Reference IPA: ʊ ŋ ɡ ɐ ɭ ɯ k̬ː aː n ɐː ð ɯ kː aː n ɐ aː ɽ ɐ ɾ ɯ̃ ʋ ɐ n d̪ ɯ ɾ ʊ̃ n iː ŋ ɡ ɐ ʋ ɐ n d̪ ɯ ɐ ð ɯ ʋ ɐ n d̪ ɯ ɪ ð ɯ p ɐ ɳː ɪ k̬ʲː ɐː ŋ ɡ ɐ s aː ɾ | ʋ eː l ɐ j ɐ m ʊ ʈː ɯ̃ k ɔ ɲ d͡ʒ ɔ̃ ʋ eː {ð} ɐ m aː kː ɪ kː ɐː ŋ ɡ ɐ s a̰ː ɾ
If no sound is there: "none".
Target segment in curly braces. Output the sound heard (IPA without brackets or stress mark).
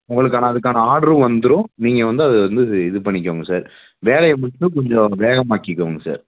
ɣ